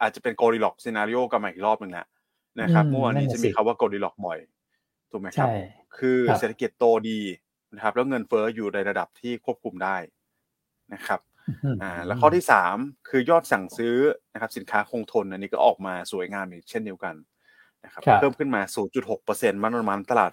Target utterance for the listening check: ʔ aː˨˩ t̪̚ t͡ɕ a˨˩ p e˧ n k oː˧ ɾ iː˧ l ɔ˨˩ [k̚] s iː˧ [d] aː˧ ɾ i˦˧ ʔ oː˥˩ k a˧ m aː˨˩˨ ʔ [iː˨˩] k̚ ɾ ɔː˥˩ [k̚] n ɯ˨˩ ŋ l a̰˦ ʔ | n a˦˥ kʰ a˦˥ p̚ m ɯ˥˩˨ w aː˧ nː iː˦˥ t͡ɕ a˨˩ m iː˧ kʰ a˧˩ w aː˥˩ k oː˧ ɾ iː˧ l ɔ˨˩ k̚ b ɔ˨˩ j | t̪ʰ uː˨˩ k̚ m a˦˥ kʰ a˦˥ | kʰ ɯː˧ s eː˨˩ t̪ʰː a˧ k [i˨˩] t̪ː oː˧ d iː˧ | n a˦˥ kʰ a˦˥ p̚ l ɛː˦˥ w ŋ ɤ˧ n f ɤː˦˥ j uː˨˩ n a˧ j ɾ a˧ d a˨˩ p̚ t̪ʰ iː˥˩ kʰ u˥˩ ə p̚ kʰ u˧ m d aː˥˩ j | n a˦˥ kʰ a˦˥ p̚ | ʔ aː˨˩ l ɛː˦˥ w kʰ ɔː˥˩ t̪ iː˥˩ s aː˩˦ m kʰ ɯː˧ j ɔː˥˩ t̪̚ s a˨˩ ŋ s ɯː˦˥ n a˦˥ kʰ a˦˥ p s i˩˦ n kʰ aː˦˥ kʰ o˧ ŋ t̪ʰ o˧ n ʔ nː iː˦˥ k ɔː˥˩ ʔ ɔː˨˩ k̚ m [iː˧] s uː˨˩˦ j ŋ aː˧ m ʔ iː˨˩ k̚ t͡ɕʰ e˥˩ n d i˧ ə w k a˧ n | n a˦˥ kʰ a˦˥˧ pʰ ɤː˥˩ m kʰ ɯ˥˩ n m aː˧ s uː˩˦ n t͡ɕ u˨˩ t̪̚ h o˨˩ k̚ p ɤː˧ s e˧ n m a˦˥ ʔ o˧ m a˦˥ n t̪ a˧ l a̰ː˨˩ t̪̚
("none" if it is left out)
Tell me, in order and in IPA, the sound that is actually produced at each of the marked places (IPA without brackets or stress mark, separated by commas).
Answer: k̚, n, i˨˩, p̚, i˨˩, aː˧